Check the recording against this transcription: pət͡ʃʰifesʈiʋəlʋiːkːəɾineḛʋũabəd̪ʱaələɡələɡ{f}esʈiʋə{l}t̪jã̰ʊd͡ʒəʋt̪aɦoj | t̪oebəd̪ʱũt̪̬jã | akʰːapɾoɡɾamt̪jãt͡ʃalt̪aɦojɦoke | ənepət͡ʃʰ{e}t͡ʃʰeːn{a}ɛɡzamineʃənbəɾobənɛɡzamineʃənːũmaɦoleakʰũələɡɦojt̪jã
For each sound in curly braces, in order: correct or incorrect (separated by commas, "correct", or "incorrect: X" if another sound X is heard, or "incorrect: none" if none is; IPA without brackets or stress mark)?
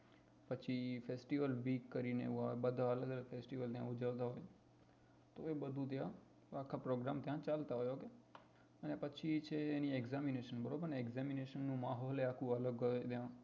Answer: correct, correct, incorrect: i, incorrect: i